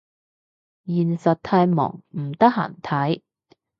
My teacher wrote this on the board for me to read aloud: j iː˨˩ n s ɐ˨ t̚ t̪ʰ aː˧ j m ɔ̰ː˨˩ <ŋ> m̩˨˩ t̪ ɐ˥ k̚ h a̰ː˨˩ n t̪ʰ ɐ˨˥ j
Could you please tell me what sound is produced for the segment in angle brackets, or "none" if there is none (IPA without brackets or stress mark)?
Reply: ŋ